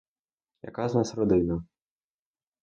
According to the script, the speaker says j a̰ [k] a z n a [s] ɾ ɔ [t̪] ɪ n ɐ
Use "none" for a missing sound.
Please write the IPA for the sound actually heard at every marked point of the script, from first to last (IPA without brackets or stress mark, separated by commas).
k, s, d̪